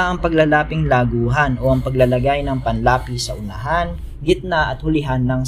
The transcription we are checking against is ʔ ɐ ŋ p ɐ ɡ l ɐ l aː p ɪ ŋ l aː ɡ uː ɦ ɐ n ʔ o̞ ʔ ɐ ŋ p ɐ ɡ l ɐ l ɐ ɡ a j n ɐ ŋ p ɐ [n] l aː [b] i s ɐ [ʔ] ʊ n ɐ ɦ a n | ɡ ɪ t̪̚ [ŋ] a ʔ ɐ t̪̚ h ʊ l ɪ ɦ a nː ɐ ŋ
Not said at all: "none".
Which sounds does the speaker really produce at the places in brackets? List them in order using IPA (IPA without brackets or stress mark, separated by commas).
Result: n, p, ʔ, n